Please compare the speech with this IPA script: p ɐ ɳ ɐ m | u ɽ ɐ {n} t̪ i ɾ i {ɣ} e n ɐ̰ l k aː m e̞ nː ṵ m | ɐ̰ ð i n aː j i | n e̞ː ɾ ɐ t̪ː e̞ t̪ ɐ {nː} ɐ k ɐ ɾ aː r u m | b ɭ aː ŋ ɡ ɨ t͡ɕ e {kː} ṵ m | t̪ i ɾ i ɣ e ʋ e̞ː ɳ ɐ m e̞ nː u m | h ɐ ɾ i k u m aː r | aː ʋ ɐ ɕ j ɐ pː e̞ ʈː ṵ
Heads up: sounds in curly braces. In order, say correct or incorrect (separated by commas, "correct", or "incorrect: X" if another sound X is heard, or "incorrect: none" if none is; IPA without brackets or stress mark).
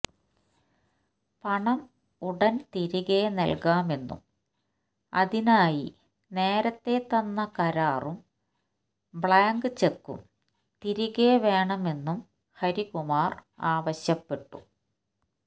correct, correct, correct, correct